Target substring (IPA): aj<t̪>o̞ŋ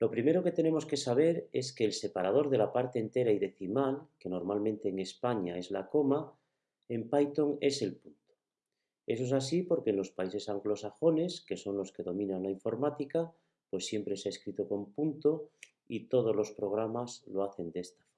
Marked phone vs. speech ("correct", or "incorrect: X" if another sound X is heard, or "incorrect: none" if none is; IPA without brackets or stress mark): correct